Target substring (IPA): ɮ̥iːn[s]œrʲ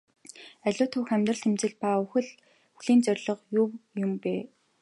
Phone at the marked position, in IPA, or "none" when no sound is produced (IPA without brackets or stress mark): t͡s